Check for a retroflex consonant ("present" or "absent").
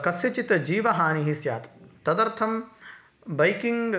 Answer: absent